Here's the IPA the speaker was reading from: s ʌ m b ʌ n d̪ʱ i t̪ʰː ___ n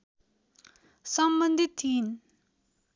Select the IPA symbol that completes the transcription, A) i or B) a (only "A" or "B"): A